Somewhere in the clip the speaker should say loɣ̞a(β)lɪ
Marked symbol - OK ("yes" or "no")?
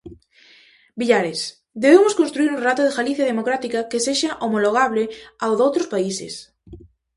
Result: yes